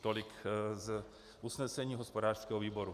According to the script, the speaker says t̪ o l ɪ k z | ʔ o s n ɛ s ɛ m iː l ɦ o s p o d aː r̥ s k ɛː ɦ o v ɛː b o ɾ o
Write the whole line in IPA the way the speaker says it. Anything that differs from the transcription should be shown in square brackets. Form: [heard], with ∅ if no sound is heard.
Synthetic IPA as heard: t̪ o l ɪ k z | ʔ [u] s n ɛ s ɛ [ɲ] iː [∅] ɦ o s p o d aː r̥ s k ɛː ɦ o v [iː] b o ɾ [u]